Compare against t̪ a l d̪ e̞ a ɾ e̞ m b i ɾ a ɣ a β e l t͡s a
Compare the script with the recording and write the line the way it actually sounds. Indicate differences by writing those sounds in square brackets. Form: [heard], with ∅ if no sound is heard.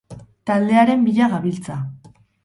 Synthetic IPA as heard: t̪ a l d̪ e̞ a ɾ e̞ m b i [ʎ] a ɣ a β [i] l t͡s a